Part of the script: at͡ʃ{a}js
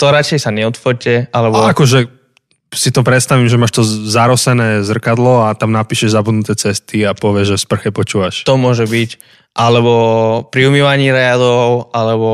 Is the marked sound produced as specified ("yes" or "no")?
no